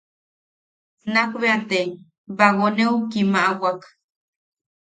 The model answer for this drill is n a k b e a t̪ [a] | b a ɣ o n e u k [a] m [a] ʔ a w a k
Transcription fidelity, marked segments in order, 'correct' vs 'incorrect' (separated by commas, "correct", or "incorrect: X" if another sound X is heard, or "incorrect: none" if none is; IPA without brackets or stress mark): incorrect: e, incorrect: i, correct